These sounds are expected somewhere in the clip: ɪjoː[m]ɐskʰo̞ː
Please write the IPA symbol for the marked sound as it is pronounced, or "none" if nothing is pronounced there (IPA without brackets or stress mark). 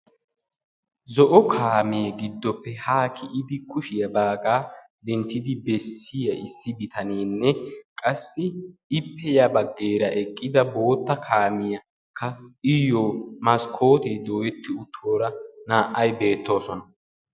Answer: m